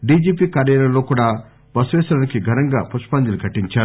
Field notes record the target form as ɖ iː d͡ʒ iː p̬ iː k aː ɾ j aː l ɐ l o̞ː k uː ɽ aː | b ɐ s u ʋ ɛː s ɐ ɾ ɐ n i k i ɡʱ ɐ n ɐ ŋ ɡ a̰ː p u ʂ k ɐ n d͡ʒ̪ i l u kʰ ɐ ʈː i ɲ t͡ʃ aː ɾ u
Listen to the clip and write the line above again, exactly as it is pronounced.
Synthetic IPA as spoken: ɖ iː d͡ʒ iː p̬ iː k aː ɾ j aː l ɐ l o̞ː k uː ɽ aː | b ɐ s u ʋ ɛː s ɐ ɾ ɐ n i k i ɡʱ ɐ n ɐ ŋ ɡ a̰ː p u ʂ p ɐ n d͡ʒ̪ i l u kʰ ɐ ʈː i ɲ t͡ʃ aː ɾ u